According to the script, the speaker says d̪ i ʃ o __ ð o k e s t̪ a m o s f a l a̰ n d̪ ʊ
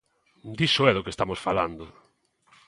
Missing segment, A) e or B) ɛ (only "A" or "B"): B